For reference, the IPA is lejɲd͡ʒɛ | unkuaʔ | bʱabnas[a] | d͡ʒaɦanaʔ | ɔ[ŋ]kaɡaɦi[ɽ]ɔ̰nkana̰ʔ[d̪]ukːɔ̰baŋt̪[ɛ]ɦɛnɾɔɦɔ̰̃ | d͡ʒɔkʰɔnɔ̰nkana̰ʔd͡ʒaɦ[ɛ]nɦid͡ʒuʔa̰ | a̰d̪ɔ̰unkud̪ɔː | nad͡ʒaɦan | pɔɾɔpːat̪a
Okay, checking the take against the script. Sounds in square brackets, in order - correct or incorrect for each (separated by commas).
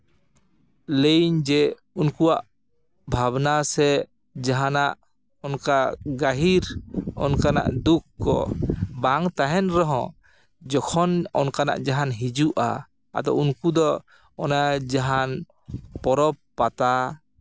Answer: incorrect, incorrect, incorrect, correct, incorrect, incorrect